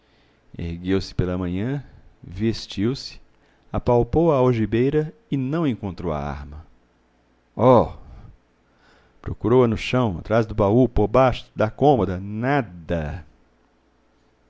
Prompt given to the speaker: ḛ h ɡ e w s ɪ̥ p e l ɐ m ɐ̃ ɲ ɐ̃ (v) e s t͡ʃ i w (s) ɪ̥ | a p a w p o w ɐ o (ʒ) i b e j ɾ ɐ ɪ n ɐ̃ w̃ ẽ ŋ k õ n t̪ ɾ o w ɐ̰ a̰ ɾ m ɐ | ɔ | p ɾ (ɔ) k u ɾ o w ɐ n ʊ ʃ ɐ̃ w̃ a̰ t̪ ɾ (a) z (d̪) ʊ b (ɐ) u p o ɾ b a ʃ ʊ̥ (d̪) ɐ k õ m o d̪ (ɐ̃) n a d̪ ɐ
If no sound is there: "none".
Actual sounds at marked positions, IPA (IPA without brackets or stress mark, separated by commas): v, s, ʒ, o, a, d̪, a, d̪, ɐ